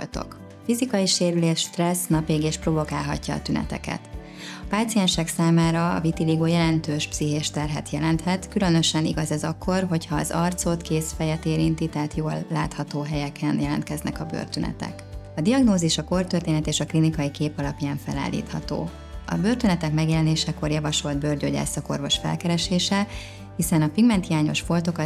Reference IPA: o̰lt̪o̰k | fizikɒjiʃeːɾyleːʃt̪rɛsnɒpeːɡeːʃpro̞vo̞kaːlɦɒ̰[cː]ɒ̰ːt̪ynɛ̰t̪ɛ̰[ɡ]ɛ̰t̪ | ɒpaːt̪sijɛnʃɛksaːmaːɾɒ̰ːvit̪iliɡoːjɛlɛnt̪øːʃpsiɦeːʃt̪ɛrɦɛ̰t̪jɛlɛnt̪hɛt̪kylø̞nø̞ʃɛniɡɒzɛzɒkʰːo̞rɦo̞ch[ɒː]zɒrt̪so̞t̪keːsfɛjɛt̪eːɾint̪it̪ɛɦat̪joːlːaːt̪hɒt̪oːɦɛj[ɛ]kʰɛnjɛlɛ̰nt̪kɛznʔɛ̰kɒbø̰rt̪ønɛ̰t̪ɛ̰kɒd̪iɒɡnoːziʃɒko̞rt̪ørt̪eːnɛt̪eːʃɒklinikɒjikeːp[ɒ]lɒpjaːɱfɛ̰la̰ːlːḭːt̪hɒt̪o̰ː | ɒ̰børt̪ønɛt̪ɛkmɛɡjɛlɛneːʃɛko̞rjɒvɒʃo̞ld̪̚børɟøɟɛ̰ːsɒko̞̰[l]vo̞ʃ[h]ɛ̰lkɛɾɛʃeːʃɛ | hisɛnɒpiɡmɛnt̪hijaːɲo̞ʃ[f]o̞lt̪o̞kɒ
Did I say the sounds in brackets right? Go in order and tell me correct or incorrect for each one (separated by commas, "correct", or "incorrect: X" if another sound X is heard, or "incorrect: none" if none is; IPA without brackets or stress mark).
correct, incorrect: k, correct, correct, correct, incorrect: r, incorrect: f, correct